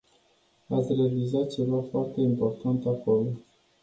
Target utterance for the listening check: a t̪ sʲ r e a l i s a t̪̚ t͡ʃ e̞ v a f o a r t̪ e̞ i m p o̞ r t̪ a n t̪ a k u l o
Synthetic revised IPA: a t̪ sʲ r e a l i z a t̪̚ t͡ʃ e̞ v a f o a r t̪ e̞ i m p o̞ r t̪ a n t̪ a k o l o